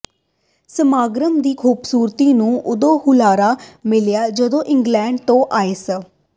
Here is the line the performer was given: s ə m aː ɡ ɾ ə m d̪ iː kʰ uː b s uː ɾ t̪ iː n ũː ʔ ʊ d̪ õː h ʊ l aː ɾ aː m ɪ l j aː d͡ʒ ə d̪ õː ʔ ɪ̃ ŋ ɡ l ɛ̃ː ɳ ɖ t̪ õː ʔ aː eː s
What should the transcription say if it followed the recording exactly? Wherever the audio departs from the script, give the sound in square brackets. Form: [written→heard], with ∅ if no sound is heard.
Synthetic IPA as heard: s ə m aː ɡ ɾ ə m d̪ iː kʰ uː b s uː ɾ t̪ iː n ũː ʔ ʊ d̪ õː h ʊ l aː ɾ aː m ɪ l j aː d͡ʒ ə d̪ õː ʔ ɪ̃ ŋ ɡ l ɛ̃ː ɳ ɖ t̪ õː ʔ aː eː s

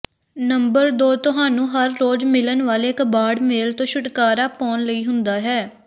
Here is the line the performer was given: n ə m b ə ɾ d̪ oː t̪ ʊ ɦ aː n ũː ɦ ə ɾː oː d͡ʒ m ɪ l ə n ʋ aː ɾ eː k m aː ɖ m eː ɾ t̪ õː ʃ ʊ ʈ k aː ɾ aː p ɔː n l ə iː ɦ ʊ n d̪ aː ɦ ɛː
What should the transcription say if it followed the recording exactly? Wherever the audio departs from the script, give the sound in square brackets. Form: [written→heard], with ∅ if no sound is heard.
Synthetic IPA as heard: n ə m b ə ɾ d̪ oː t̪ ʊ ɦ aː n ũː ɦ ə ɾː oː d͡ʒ m ɪ l ə n ʋ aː [ɾ→l] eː k [m→b] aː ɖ m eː [ɾ→l] t̪ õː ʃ ʊ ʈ k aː ɾ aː p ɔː n l ə iː ɦ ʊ n d̪ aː ɦ ɛː

